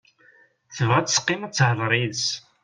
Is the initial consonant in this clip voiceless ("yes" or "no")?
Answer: yes